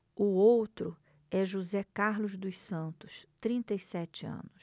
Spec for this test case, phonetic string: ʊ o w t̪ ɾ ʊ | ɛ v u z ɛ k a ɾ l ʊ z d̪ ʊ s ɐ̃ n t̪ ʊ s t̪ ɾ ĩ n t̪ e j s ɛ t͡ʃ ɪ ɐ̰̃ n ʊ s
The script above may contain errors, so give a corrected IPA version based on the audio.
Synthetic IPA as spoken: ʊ o w t̪ ɾ ʊ | ɛ ʒ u z ɛ k a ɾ l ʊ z d̪ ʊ s ɐ̃ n t̪ ʊ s t̪ ɾ ĩ n t̪ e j s ɛ t͡ʃ ɪ ɐ̰̃ n ʊ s